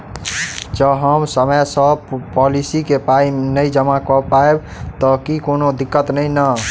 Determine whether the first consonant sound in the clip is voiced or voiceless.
voiced